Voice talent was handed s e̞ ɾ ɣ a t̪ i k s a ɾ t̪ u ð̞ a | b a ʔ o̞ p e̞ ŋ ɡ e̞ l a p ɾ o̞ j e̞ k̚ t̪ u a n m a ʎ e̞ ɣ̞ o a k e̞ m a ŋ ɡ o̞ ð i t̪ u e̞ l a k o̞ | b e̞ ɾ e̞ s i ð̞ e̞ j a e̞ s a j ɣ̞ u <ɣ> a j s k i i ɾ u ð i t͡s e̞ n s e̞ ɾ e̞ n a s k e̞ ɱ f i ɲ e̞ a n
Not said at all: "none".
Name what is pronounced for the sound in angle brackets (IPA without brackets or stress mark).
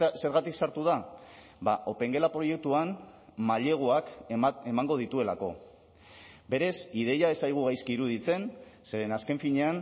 ɣ